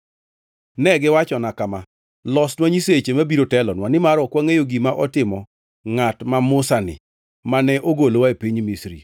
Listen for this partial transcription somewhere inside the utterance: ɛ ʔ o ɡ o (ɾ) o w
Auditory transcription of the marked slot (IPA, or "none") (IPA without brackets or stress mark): l